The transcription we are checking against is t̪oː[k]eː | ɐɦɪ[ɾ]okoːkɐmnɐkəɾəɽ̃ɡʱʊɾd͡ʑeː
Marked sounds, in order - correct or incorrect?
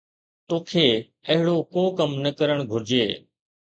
incorrect, incorrect

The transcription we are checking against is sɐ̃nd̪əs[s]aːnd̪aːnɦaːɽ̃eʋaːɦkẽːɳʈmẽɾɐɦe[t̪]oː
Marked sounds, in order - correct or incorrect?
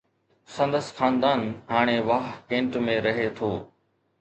incorrect, incorrect

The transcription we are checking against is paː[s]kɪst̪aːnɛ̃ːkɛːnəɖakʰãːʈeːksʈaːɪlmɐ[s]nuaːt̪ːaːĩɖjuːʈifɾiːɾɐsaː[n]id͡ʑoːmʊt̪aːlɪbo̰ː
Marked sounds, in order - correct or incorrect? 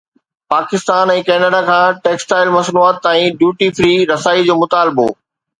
incorrect, correct, incorrect

